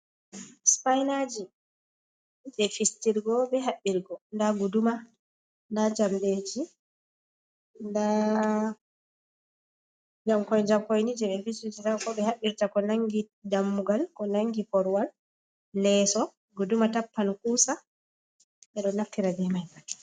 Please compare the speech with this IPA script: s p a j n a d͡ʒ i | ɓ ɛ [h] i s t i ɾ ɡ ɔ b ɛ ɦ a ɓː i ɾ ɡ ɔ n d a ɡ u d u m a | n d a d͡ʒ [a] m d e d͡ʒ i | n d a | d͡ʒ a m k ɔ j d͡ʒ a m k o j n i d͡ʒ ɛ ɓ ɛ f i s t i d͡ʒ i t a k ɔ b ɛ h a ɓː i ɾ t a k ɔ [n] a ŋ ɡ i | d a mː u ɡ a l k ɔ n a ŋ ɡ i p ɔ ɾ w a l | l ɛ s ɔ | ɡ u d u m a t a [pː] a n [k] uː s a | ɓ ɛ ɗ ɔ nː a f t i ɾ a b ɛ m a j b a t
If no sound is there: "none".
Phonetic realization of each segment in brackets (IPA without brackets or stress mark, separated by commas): f, a, n, pː, k